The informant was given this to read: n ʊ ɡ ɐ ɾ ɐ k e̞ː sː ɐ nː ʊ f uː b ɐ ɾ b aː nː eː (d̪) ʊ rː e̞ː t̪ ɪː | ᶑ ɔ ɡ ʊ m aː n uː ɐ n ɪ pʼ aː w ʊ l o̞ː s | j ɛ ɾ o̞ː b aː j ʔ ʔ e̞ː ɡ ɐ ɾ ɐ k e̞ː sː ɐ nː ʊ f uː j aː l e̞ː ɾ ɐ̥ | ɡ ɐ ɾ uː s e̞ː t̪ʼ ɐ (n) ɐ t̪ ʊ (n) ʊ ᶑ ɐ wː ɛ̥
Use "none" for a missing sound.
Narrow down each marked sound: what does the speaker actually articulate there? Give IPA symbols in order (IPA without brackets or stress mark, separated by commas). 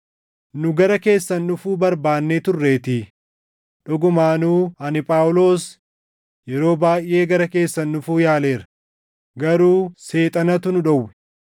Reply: t̪, n, n